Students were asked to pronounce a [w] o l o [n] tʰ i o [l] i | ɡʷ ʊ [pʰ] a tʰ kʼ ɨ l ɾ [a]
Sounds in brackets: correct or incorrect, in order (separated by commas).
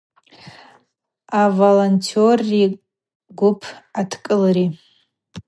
incorrect, correct, incorrect, correct, incorrect